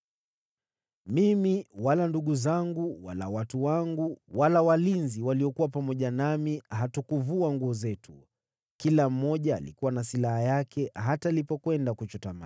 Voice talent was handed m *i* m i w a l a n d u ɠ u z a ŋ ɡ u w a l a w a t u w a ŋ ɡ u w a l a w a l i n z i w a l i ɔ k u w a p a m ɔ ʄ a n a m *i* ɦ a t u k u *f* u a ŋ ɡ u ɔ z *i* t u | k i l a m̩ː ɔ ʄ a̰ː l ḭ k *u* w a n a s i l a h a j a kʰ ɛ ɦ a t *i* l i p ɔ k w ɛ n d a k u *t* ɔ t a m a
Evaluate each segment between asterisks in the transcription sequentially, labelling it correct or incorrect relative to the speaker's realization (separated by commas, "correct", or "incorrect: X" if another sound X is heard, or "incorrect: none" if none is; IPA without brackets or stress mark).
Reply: correct, correct, incorrect: v, incorrect: ɛ, correct, incorrect: a, incorrect: t͡ʃ